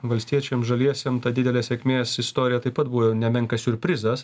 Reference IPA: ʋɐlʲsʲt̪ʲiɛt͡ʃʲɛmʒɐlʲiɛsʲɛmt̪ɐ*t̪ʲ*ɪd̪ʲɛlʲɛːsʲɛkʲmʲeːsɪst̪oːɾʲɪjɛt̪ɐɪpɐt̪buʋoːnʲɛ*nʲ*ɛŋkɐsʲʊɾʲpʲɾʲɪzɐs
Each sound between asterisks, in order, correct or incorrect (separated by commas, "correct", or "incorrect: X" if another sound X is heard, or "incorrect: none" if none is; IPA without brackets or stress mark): incorrect: d̪ʲ, incorrect: mʲ